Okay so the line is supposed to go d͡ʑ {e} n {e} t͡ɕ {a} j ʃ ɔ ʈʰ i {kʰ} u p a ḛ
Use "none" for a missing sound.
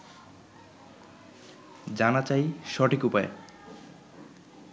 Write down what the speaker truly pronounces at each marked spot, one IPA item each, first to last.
a, a, a, k

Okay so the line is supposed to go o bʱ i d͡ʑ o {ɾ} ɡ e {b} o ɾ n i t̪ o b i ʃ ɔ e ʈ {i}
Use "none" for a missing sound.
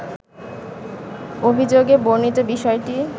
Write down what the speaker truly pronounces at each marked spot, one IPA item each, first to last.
none, b, i

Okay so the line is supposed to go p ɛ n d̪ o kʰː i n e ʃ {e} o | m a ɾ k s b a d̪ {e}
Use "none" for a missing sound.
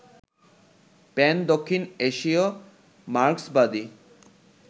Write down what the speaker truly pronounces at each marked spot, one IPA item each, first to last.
i, i

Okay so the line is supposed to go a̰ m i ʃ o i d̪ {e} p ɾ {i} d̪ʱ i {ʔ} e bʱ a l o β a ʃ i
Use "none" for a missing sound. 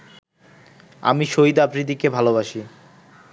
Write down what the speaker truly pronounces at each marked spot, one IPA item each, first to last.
a, i, k

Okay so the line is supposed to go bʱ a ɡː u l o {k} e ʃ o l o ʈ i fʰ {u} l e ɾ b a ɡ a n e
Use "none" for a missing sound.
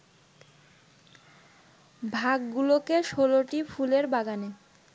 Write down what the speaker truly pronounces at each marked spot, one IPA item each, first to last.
k, u

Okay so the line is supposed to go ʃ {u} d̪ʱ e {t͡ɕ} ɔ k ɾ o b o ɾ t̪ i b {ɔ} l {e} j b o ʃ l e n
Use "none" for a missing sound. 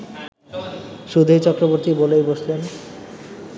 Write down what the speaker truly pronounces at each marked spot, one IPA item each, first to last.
u, t͡ɕ, o, e

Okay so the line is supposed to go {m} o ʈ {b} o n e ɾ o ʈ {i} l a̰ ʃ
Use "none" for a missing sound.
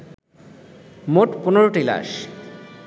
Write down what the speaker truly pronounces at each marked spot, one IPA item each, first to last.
m, p, i

